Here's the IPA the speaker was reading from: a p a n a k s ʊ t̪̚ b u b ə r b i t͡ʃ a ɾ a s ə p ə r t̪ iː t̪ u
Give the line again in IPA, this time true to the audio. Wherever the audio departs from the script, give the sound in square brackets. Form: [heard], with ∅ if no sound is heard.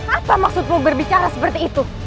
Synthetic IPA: a p a [m] a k s ʊ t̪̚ [m] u b ə r b i t͡ʃ a ɾ a s ə p ə r t̪ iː t̪ u